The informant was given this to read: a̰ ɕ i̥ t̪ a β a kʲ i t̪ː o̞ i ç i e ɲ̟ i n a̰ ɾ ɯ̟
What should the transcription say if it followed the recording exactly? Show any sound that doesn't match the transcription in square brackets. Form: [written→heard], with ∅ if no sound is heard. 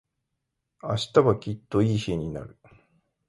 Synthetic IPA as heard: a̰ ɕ i̥ t̪ a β a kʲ i t̪ː o̞ [i→iː] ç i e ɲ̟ i n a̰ ɾ ɯ̟